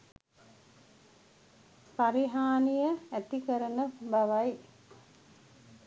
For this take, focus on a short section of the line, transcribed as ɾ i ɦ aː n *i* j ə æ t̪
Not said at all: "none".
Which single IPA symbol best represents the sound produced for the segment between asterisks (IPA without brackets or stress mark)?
i